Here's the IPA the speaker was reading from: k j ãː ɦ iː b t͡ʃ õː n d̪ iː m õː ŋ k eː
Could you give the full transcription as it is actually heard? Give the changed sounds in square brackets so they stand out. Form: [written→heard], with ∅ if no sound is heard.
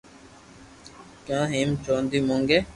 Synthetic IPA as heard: k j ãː ɦ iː [b→m] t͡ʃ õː n d̪ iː m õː ŋ [k→ɡ] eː

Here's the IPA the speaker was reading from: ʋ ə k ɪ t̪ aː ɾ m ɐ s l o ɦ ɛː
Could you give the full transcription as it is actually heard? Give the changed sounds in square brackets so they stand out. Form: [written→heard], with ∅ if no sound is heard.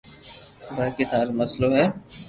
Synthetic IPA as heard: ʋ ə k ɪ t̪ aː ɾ m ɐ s l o ɦ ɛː

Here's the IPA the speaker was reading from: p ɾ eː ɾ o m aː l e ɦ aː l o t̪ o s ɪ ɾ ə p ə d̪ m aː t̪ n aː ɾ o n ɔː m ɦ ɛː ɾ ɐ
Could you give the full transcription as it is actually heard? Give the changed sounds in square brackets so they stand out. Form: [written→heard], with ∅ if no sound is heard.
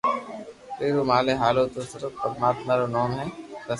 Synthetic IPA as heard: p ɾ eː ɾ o m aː l e ɦ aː l o t̪ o s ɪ ɾ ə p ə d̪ m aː t̪ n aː ɾ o n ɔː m ɦ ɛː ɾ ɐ

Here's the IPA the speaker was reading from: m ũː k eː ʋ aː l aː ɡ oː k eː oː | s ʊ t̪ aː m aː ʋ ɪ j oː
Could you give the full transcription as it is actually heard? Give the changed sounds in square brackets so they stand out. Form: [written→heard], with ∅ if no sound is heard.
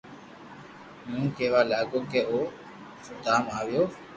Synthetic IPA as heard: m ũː k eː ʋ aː l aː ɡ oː k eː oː | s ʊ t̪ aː m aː ʋ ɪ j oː

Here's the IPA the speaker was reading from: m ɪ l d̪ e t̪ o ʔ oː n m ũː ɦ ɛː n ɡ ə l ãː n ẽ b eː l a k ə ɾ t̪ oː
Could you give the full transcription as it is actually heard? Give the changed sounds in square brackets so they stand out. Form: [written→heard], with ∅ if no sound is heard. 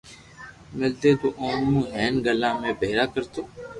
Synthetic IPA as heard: m ɪ l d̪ e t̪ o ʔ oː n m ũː ɦ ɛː n ɡ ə l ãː [n→m] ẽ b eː [l→ɾ] a k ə ɾ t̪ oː

